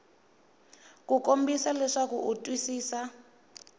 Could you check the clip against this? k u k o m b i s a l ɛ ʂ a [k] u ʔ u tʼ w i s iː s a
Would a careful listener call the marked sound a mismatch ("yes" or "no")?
no